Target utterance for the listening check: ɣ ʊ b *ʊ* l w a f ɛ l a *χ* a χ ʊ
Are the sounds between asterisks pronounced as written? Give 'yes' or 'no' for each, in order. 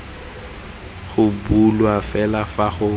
no, no

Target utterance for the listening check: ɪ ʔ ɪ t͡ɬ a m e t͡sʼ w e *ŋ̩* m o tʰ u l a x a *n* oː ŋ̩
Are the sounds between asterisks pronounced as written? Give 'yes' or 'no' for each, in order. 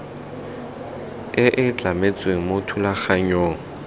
yes, no

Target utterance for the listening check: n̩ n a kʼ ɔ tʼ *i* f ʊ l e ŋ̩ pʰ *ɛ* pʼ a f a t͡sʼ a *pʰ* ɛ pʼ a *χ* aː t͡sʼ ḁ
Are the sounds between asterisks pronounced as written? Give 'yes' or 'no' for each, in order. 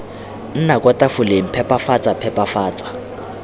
no, yes, yes, no

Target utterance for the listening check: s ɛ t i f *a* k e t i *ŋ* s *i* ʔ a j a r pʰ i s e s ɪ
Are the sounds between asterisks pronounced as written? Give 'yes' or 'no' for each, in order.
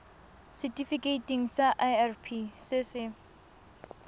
no, yes, no

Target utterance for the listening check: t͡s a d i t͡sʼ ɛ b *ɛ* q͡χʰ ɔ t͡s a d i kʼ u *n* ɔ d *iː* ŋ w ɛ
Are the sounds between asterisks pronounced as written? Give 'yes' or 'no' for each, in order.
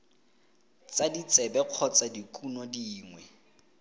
yes, yes, yes

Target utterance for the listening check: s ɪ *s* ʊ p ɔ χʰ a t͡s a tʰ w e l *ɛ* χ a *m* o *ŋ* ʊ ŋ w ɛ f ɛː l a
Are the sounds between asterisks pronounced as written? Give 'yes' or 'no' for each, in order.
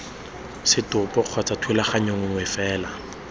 no, no, no, yes

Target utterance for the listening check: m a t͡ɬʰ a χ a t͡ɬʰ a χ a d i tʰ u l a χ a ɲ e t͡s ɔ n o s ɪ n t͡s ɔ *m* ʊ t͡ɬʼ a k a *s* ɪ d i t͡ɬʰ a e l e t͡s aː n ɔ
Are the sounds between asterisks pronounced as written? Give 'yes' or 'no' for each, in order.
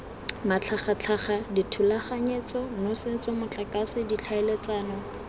yes, yes

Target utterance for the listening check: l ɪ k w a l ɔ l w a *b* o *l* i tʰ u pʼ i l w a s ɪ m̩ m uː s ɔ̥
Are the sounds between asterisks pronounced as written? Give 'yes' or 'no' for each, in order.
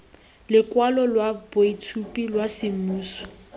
yes, no

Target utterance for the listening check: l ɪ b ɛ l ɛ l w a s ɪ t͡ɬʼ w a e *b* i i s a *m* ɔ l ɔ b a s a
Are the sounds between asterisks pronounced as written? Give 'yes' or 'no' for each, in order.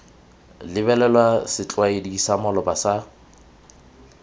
no, yes

